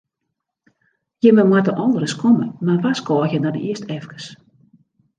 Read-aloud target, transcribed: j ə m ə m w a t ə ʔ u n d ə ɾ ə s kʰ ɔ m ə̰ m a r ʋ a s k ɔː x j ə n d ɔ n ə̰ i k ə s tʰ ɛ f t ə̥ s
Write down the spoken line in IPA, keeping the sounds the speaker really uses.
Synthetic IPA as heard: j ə m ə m w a t ə ʔ ɔ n d ə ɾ ə s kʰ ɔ m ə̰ m a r ʋ a s k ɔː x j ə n d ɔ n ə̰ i ə s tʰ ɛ f k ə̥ s